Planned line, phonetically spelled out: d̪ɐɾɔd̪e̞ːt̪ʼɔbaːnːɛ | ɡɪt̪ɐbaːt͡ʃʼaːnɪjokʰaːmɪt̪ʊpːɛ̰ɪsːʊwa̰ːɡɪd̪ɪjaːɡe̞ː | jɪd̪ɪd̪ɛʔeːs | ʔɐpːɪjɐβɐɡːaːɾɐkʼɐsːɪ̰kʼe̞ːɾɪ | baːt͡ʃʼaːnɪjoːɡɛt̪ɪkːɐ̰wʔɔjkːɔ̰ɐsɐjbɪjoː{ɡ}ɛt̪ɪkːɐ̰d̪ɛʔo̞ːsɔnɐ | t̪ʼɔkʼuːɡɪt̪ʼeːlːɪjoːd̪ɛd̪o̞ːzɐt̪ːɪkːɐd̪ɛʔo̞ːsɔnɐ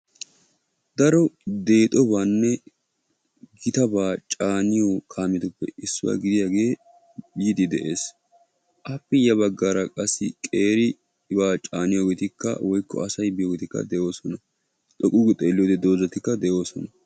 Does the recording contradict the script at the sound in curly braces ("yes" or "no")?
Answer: no